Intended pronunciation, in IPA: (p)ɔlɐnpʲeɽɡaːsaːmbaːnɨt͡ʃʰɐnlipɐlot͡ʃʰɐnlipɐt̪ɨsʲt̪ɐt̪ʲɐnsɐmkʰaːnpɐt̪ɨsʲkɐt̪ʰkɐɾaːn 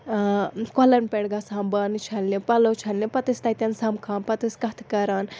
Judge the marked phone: incorrect: k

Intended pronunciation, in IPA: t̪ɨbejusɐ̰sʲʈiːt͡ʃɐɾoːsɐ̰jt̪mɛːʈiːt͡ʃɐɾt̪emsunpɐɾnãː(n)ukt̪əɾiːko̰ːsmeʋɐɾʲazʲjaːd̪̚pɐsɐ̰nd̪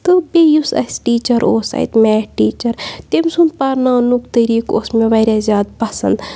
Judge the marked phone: correct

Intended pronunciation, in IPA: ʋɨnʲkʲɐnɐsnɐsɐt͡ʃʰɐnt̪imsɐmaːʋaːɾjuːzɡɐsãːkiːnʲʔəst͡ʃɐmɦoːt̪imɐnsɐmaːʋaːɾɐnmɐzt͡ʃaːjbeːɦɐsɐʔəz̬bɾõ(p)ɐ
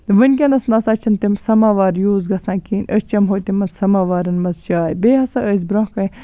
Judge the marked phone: incorrect: k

